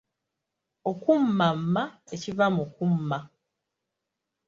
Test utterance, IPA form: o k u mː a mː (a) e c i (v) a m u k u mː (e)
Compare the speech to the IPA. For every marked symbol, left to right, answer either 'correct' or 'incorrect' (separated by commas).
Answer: correct, correct, incorrect